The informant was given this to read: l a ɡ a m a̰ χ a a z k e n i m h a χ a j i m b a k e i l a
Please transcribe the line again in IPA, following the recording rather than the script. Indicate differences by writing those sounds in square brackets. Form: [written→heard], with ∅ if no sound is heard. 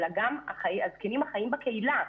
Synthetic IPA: l a ɡ a m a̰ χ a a z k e n i m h a χ a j i m b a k e i l a

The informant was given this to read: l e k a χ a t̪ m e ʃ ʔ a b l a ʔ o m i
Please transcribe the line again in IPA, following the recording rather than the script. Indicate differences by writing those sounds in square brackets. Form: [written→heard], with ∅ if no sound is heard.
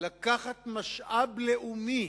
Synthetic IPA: l [e→a] k a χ a t̪ m [e→a] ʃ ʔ a b l [a→e] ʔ [o→u] m i

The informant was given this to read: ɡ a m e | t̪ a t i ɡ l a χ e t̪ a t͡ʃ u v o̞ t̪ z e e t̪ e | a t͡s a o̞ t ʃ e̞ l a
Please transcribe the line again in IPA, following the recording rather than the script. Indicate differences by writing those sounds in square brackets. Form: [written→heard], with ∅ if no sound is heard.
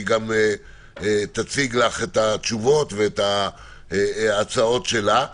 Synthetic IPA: ɡ a m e | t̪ a [t→t͡s] i ɡ l a χ e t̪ a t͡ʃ u v o̞ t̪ [z→v] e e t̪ [e→a] | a t͡s a o̞ t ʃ e̞ l a

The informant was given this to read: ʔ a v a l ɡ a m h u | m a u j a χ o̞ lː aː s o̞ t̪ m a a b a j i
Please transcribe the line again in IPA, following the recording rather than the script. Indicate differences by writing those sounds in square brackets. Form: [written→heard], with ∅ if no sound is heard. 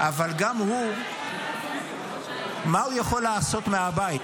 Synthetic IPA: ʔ a v a l ɡ a m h u | m a u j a χ o̞ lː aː s o̞ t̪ m [a→e] a b a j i

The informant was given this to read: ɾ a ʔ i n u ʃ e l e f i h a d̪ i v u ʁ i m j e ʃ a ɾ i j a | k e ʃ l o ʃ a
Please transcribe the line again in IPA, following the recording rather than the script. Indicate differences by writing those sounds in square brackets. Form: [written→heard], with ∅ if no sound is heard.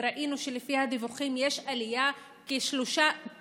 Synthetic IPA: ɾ a ʔ i n u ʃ e l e f i h a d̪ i v u [ʁ→χ] i m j e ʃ a [ɾ→l] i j a | k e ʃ l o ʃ a

